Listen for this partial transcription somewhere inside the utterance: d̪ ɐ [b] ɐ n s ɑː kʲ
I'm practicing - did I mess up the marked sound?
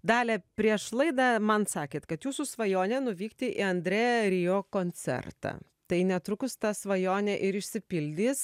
yes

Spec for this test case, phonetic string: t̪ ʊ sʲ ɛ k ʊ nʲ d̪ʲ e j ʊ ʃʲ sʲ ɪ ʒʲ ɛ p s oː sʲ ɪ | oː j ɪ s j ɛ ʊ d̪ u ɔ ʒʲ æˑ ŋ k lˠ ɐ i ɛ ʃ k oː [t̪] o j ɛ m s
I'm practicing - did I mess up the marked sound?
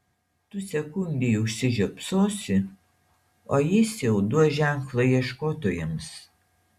no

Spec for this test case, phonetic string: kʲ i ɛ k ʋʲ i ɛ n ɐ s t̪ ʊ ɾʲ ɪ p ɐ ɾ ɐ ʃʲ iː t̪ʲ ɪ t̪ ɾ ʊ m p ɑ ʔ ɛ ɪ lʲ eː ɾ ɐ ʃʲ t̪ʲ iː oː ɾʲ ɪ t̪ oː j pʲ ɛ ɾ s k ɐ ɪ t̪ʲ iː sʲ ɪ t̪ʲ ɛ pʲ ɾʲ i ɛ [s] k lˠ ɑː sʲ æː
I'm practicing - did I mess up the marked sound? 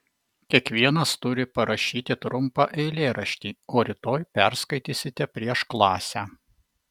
yes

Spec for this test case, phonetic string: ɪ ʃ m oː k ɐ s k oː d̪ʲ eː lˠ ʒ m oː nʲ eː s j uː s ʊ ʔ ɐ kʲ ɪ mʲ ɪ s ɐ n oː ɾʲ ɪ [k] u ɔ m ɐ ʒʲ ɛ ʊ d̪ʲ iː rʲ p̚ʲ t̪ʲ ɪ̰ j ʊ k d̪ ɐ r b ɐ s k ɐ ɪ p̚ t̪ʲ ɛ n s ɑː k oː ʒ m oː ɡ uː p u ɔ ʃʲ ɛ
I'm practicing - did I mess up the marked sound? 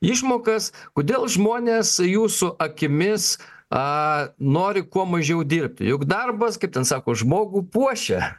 no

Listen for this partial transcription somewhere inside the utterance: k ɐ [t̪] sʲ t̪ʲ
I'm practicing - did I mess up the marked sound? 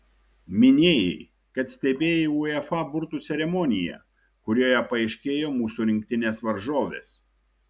no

